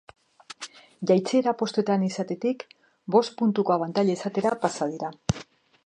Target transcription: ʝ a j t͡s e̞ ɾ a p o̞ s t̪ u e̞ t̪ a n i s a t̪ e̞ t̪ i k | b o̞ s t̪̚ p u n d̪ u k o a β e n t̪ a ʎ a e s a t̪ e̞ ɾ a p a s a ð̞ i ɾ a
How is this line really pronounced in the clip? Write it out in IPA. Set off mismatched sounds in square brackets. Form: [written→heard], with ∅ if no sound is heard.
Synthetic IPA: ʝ a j t͡s e̞ ɾ a p o̞ s t̪ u e̞ t̪ a n i s a t̪ e̞ t̪ i k | b o̞ s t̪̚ p u n [d̪→t̪] u k o a β [e→a] n t̪ a ʎ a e s a t̪ e̞ ɾ a p a s a ð̞ i ɾ a